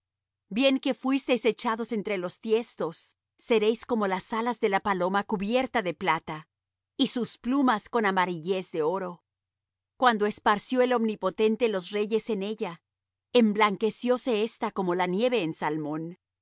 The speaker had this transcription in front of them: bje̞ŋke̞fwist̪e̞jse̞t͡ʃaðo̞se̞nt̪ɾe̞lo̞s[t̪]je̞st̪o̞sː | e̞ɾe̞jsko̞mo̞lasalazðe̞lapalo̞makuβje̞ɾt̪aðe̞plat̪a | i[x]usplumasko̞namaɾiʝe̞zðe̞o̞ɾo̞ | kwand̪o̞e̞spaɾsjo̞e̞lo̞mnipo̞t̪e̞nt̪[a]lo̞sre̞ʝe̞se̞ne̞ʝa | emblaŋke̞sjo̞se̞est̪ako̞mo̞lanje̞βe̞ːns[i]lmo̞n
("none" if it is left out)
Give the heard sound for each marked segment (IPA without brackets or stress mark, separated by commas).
t̪, s, e, a